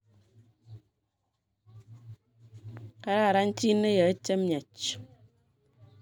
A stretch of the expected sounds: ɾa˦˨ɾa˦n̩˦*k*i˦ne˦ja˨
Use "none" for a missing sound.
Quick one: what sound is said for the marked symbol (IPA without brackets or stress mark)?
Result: t